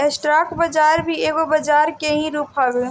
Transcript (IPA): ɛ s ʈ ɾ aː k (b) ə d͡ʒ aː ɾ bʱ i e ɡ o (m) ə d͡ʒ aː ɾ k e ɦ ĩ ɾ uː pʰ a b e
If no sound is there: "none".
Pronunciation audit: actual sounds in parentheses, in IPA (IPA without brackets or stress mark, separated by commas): b, b